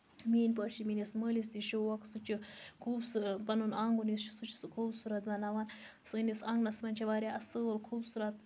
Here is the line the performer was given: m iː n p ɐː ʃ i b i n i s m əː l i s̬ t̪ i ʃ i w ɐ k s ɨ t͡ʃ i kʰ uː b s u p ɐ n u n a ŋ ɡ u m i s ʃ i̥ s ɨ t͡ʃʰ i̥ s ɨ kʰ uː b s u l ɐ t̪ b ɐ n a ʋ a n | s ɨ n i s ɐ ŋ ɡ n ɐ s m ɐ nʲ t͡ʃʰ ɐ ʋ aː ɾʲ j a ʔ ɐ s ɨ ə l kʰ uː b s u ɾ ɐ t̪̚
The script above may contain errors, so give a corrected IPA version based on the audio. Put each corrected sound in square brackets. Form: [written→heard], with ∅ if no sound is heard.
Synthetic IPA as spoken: m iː n p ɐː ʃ i [b→m] i n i s m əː l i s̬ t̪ i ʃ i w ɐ k s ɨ t͡ʃ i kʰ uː b s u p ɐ n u n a ŋ ɡ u [m→n] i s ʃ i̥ s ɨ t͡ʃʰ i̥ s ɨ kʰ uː b s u [l→ɾ] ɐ t̪ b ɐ n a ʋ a n | s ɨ n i s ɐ ŋ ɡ n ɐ s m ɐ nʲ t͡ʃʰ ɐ ʋ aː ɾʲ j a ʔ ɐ s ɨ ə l kʰ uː b s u ɾ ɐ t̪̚